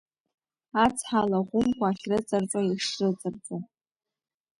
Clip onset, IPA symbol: a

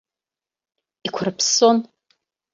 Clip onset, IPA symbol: i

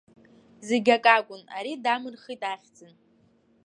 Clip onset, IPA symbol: z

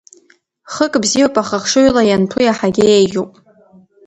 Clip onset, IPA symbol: χ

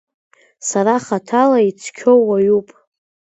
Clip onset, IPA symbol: s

